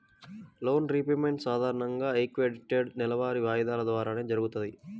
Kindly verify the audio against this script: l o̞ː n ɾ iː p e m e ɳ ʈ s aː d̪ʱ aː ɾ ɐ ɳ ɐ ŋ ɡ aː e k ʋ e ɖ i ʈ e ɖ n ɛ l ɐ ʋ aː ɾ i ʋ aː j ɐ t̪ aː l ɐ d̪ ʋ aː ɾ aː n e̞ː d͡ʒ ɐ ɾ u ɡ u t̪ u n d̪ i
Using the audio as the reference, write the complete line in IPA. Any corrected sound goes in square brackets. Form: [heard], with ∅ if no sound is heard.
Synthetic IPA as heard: l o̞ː n ɾ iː p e m e ɳ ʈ s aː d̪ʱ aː ɾ ɐ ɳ ɐ ŋ ɡ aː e k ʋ e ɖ i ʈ e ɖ n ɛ l ɐ ʋ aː ɾ i ʋ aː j ɐ [d̪] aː l ɐ d̪ ʋ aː ɾ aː n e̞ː d͡ʒ ɐ ɾ u ɡ u t̪ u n d̪ i